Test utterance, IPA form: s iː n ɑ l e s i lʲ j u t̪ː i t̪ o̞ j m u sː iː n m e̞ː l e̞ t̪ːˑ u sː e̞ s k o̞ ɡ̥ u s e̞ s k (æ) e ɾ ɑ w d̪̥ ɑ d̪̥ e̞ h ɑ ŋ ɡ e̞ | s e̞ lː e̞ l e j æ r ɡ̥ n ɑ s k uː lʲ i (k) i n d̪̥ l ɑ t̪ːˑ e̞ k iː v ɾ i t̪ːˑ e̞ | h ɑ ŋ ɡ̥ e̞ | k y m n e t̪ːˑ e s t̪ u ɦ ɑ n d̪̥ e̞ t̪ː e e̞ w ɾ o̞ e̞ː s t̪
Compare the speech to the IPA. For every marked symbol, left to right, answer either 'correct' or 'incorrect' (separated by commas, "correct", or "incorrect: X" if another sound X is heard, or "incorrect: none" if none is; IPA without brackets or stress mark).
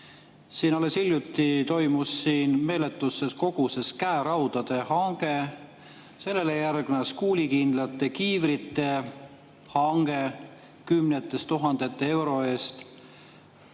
correct, correct